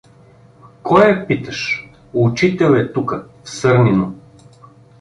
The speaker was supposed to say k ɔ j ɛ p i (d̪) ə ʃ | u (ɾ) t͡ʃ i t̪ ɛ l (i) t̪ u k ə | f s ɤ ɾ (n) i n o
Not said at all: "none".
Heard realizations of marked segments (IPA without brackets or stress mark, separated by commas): t̪, none, ɛ, n